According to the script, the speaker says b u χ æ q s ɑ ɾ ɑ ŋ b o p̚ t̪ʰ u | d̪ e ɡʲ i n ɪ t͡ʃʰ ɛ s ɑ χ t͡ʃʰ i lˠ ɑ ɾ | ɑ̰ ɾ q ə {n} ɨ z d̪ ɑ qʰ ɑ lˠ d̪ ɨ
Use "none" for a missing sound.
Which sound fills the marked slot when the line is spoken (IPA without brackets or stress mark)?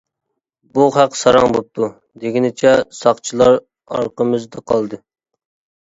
m